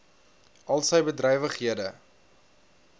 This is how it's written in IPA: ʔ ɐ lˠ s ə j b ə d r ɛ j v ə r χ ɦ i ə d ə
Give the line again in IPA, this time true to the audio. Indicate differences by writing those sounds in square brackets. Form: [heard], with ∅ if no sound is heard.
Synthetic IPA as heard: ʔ ɐ lˠ s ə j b ə d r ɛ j v ə [∅] χ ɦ i ə d ə